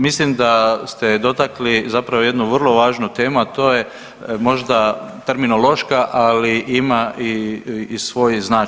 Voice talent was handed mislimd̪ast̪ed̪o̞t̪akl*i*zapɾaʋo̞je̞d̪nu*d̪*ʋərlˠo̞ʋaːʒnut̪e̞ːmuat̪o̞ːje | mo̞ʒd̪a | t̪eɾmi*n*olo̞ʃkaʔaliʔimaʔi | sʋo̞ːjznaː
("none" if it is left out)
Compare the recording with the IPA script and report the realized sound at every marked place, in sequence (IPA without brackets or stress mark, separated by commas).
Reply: i, none, n